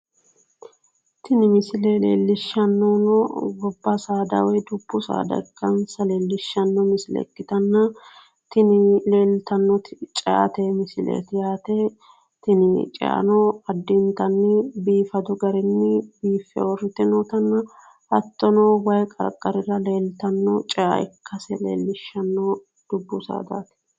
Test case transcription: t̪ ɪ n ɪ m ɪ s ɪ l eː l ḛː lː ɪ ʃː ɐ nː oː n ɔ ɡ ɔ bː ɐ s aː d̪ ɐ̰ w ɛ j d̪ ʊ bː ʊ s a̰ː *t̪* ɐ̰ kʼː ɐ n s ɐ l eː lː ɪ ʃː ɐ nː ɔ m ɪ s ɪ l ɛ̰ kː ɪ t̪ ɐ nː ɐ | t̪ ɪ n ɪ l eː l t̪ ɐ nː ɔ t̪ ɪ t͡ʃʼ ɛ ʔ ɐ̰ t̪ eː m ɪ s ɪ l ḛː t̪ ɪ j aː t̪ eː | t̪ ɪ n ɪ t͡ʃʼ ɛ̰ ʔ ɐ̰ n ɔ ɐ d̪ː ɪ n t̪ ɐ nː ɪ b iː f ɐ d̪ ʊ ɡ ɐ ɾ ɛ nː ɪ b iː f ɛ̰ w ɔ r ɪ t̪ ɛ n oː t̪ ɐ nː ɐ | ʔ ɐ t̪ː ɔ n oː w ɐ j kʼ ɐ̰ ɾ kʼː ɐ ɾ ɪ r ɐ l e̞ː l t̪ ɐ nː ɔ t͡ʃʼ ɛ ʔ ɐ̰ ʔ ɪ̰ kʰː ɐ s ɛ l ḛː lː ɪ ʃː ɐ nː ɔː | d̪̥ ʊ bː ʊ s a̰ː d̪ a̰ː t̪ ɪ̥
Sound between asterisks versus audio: incorrect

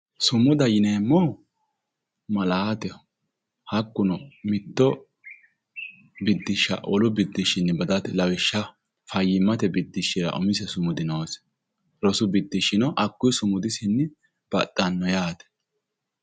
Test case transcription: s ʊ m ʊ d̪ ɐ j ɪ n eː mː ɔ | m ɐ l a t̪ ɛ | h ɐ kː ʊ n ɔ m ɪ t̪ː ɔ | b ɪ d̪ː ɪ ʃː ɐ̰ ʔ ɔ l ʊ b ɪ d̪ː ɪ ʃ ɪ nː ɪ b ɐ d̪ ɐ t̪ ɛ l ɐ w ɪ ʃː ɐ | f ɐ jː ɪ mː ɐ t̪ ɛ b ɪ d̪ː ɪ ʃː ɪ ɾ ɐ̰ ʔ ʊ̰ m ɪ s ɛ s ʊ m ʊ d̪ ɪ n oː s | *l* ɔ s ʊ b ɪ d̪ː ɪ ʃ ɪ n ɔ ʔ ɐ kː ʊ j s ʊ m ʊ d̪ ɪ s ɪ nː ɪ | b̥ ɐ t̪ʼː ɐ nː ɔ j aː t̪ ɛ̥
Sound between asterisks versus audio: incorrect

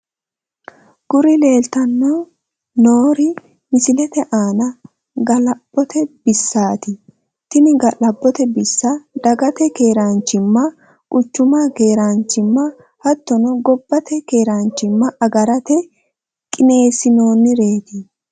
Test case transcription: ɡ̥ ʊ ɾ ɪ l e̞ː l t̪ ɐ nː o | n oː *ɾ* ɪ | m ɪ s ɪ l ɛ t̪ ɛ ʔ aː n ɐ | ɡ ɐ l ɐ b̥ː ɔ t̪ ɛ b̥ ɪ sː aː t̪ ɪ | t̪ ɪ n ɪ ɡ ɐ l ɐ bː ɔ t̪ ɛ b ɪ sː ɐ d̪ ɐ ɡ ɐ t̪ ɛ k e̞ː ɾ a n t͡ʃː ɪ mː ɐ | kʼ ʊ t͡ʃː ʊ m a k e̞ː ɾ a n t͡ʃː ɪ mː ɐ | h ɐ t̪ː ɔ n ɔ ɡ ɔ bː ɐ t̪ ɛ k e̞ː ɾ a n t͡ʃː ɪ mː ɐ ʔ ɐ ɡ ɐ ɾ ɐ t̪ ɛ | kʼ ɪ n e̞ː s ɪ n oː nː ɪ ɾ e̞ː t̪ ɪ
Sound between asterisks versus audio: correct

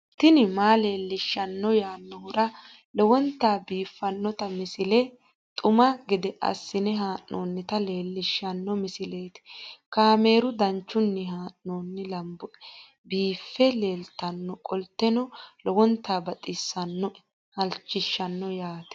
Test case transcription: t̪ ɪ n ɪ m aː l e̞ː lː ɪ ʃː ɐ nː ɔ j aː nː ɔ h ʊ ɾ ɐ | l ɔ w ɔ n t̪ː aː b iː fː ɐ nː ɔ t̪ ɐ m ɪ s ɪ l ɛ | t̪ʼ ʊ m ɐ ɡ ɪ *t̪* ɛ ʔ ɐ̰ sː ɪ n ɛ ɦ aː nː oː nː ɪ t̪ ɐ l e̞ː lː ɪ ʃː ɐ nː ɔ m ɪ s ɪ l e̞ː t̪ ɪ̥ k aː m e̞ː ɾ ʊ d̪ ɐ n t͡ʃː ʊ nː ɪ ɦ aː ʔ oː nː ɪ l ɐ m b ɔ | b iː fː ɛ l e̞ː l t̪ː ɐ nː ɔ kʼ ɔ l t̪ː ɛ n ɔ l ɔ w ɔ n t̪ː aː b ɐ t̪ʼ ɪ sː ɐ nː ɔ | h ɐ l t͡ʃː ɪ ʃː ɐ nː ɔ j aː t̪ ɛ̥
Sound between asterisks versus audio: incorrect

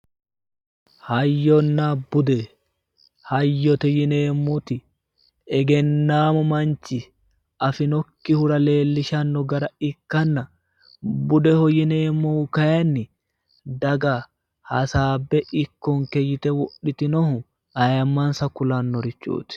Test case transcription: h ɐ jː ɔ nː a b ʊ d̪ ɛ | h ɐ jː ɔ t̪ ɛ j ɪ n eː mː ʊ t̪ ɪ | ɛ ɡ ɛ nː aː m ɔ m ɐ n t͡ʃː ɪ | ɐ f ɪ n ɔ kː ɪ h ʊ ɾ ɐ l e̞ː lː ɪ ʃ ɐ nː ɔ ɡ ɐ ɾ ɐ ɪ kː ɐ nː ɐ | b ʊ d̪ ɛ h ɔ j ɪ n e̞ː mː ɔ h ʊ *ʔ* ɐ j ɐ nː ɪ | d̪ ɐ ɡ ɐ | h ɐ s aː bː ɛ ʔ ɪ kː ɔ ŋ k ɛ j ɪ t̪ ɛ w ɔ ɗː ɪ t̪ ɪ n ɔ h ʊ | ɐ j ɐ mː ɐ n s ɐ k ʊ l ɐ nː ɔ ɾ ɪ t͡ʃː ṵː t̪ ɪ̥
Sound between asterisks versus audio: incorrect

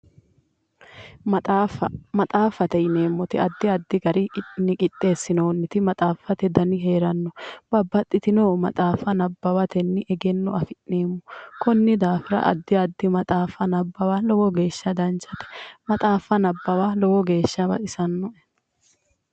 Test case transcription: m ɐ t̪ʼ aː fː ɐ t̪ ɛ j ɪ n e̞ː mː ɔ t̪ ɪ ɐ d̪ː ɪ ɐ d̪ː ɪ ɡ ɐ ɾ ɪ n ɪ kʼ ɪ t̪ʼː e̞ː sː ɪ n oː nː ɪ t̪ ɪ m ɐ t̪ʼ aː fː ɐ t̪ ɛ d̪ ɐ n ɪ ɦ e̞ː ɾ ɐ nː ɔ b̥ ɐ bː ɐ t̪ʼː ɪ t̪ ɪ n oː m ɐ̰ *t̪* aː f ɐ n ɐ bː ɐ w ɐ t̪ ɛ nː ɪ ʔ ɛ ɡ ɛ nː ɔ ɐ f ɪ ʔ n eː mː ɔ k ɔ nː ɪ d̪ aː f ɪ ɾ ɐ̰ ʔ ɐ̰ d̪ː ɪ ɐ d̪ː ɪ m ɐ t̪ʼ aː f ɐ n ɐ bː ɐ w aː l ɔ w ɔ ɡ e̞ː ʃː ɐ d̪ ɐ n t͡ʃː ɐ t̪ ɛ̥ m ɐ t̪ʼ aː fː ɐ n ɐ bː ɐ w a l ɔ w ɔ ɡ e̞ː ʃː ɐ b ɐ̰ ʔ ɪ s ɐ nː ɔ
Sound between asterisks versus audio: incorrect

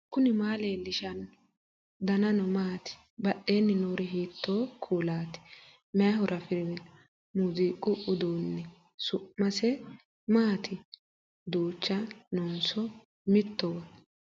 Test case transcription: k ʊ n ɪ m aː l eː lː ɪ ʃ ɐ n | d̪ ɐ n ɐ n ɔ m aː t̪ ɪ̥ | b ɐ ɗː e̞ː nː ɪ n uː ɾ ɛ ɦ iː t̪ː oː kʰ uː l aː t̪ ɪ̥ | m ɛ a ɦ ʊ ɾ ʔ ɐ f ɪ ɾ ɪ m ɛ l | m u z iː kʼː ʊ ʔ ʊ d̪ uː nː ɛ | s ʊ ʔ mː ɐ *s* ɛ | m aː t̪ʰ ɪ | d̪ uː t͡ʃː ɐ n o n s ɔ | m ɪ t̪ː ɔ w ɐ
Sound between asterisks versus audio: correct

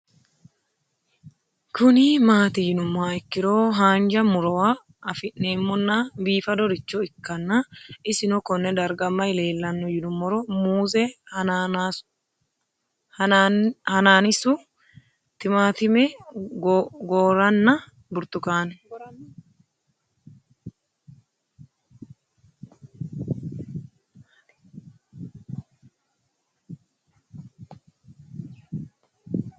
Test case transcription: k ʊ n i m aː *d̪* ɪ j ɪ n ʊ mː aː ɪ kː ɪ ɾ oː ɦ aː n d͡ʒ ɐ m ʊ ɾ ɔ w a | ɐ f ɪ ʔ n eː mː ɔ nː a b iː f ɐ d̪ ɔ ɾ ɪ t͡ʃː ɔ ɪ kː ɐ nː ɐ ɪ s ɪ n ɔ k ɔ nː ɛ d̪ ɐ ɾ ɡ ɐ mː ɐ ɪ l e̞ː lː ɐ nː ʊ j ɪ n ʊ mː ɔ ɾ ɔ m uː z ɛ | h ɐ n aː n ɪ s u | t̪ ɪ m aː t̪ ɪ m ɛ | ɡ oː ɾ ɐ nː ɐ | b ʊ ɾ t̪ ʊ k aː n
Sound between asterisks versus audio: incorrect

